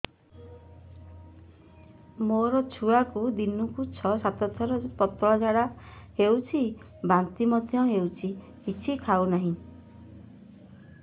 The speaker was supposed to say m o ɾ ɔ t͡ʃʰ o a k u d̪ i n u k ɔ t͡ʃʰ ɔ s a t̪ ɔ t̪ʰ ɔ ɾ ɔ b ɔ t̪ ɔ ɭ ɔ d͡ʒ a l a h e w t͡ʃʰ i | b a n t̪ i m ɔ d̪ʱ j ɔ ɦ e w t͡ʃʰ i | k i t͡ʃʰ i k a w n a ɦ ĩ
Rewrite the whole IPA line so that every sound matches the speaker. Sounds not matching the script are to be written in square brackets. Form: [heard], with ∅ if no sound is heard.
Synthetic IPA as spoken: m o ɾ ɔ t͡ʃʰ [u] a k u d̪ i n u k [u] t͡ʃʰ ɔ s a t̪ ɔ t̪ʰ ɔ ɾ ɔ [p] ɔ t̪ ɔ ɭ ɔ d͡ʒ a [ɽ] a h e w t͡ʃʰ i | b a n t̪ i m ɔ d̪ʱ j ɔ ɦ e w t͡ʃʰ i | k i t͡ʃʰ i [kʰ] a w n a ɦ ĩ